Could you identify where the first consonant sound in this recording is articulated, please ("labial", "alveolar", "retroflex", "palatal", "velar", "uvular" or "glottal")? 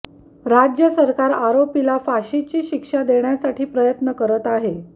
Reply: alveolar